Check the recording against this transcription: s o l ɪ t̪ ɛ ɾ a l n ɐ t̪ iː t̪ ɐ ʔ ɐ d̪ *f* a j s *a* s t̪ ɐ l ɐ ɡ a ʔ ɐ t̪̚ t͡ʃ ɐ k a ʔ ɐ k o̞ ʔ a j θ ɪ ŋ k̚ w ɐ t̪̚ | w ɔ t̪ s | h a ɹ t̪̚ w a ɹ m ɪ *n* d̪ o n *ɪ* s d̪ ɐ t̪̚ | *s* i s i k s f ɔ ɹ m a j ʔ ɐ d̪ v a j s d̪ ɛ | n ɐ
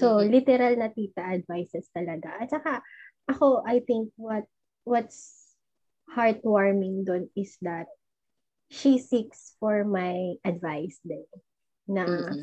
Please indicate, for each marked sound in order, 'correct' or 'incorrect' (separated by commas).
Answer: incorrect, incorrect, incorrect, correct, incorrect